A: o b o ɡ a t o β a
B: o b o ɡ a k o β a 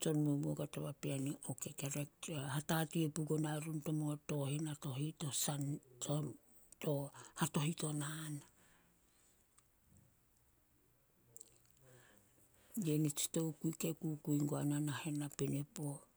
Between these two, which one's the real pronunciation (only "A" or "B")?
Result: A